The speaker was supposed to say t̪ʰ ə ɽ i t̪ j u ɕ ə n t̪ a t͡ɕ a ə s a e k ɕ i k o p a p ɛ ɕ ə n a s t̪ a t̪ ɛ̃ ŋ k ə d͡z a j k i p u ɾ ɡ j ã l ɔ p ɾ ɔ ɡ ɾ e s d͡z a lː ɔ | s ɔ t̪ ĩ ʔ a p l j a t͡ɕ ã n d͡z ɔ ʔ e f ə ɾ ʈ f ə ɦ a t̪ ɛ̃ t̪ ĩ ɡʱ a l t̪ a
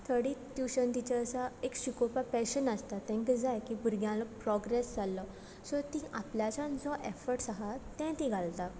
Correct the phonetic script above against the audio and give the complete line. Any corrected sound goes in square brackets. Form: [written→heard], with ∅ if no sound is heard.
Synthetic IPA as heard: t̪ʰ ə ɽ i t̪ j u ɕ ə n t̪ [a→i] t͡ɕ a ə s a e k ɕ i k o p a p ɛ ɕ ə n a s t̪ a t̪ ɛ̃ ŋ k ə d͡z a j k i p u ɾ ɡ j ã l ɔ p ɾ ɔ ɡ ɾ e s d͡z a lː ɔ | s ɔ t̪ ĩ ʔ a p l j a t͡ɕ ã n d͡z ɔ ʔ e f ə ɾ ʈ [f→s] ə ɦ a t̪ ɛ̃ t̪ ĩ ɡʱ a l t̪ a